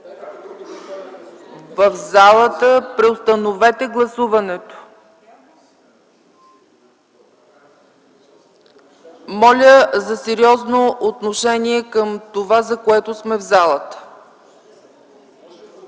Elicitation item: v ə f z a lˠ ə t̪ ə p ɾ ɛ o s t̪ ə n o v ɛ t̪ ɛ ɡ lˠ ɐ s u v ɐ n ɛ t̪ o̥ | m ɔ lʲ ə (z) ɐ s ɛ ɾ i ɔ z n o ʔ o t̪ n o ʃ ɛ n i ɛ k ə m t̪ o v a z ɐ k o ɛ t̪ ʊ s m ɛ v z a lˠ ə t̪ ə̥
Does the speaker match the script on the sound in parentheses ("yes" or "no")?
yes